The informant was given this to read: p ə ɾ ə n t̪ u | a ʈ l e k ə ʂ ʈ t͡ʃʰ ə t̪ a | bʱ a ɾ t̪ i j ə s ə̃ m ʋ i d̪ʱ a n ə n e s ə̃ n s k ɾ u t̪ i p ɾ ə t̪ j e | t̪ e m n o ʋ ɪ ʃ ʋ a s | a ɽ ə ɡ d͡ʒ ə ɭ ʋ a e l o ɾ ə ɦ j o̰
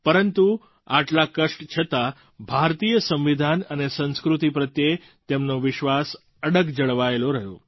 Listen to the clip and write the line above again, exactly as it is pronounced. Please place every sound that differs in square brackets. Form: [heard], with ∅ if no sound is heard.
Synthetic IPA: p ə ɾ ə n t̪ u | a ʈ l [a] k ə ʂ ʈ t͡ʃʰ ə t̪ a | bʱ a ɾ t̪ i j ə s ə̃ m ʋ i d̪ʱ a n ə n e s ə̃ n s k ɾ u t̪ i p ɾ ə t̪ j e | t̪ e m n o ʋ ɪ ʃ ʋ a s | [ə] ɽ ə ɡ d͡ʒ ə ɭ ʋ a e l o ɾ ə ɦ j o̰